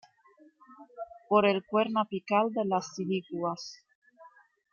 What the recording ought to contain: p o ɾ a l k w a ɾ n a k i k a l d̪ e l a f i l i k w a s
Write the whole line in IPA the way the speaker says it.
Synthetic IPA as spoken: p o ɾ e l k w e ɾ n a p i k a l d̪ e l a s i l i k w a s